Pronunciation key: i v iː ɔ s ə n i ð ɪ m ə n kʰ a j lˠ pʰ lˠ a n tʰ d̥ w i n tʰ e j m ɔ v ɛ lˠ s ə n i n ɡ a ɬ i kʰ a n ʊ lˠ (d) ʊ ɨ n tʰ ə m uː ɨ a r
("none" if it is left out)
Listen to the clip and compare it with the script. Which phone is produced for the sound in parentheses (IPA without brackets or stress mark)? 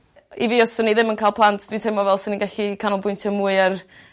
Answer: b